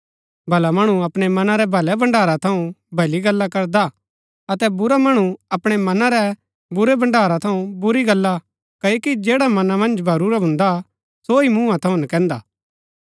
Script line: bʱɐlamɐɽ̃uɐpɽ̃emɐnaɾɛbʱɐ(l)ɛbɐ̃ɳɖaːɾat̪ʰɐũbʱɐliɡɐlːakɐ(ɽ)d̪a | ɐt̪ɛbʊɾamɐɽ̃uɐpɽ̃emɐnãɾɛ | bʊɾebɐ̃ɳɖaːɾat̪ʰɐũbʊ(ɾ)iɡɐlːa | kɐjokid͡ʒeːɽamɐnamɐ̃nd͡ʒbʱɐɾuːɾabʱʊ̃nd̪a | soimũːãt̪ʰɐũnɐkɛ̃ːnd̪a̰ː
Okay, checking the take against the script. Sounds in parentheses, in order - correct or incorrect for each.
correct, incorrect, correct

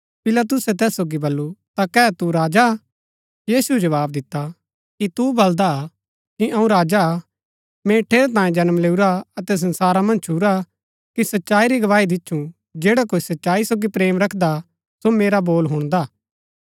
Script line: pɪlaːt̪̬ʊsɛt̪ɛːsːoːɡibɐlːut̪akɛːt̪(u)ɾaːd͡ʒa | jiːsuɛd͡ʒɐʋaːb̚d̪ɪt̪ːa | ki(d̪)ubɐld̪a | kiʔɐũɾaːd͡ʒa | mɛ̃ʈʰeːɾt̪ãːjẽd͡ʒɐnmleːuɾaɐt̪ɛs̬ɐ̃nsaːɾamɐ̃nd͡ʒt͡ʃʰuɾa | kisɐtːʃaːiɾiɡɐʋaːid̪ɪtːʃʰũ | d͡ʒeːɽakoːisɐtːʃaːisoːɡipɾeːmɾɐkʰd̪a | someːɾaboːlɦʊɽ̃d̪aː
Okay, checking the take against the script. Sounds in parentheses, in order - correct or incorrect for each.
correct, incorrect

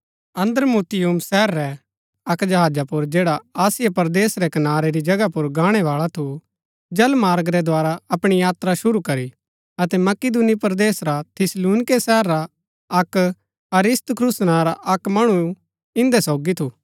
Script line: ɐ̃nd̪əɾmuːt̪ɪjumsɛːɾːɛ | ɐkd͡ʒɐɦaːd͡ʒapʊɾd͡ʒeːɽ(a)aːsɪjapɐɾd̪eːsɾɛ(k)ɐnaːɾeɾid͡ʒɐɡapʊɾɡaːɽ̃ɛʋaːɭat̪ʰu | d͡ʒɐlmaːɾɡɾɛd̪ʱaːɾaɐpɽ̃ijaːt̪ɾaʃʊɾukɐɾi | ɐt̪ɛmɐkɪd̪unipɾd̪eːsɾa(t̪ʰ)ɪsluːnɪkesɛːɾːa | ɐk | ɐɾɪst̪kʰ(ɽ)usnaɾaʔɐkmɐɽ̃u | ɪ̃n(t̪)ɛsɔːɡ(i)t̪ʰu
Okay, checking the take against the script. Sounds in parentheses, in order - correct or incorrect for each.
correct, correct, correct, incorrect, incorrect, correct

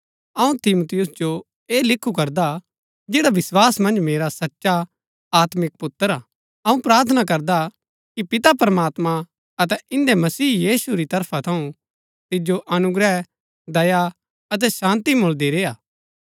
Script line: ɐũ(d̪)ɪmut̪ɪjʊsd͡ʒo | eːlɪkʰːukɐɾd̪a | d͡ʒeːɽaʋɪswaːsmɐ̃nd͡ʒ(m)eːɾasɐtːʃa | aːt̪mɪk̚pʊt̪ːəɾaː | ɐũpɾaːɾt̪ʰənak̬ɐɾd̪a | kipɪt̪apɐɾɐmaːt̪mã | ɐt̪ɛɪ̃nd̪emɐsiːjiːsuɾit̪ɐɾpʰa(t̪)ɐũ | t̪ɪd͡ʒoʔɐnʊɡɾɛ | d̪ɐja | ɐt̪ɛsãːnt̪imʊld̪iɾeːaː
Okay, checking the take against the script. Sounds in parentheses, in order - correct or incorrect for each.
incorrect, correct, incorrect

